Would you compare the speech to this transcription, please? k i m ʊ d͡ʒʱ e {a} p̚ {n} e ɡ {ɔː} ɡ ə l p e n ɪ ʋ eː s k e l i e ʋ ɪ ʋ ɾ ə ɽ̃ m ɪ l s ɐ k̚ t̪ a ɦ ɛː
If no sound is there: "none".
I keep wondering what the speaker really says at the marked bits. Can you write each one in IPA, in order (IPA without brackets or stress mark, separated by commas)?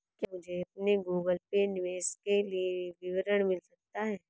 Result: ɐ, n, uː